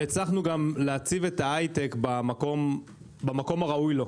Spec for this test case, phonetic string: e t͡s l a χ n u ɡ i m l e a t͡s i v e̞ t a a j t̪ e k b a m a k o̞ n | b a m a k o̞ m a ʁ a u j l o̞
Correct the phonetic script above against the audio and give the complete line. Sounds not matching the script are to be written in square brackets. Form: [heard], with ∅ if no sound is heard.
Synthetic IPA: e t͡s l a χ n u ɡ [a] m l e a t͡s i v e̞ t a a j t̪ e k b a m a k o̞ [m] | b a m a k o̞ m a ʁ a u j l o̞